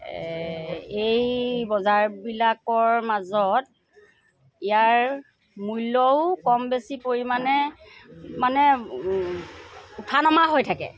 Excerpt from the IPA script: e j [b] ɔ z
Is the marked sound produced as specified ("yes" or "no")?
yes